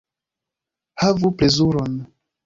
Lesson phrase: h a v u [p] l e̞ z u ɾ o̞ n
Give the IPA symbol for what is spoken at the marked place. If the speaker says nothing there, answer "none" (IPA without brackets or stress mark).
p